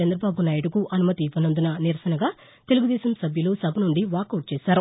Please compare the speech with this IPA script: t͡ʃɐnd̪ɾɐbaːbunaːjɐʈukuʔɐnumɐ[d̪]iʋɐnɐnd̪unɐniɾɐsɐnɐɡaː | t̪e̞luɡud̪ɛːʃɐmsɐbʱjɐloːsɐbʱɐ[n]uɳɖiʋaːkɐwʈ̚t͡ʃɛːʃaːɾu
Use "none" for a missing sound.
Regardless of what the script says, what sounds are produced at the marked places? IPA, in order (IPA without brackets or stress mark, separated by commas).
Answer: t̪, n